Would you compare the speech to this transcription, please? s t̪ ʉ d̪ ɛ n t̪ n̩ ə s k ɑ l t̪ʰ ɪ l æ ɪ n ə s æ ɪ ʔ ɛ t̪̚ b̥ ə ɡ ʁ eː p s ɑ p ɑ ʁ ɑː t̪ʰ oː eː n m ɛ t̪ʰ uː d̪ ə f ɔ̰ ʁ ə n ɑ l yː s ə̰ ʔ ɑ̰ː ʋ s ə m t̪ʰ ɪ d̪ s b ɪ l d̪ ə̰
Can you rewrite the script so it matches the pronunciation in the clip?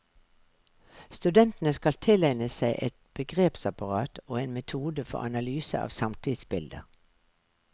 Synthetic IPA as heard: s t̪ ʉ d̪ ɛ n t̪ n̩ ə s k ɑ l t̪ʰ ɪ l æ ɪ n ə s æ ɪ ʔ ɛ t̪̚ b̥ ə ɡ ʁ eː p s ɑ p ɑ ʁ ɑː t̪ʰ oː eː n m ɛ t̪ʰ uː d̪ ə f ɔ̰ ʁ ɑ n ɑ l yː s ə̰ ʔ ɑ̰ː ʋ s ɑ m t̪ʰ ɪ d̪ s b ɪ l d̪ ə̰